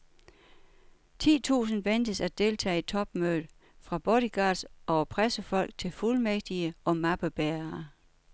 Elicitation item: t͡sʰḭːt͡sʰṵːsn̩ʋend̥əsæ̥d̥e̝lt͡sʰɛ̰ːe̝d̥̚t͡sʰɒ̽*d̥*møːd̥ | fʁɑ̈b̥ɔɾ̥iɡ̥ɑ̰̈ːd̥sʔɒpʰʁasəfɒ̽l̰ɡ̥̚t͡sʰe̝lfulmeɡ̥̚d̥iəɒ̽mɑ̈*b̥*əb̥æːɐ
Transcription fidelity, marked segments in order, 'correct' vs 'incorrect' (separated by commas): incorrect, correct